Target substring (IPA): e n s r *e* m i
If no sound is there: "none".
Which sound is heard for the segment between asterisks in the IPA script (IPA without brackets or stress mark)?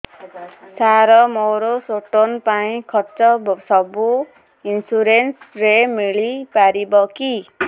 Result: e